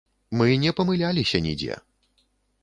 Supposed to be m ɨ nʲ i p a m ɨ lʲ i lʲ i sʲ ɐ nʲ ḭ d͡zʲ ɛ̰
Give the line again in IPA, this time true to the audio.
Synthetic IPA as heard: m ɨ nʲ ɛ p ɐ m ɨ lʲ a lʲ i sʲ ɐ nʲ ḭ d͡zʲ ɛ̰